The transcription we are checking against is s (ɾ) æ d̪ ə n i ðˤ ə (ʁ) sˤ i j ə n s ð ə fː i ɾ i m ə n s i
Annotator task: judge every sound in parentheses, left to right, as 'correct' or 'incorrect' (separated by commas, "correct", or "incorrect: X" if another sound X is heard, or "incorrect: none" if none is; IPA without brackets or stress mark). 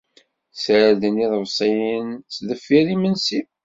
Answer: correct, incorrect: v